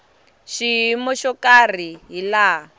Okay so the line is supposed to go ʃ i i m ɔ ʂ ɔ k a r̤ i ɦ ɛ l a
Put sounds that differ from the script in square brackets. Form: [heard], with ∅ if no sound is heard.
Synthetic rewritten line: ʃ i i m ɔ [ʃ] ɔ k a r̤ i ɦ [i] l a